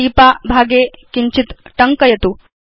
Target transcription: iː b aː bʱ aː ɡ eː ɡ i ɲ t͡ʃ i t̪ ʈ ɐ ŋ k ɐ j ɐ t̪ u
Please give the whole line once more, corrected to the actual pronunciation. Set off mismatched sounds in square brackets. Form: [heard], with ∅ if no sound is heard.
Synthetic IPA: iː [p] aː bʱ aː ɡ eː [k] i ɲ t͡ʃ i t̪ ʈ ɐ ŋ k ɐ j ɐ t̪ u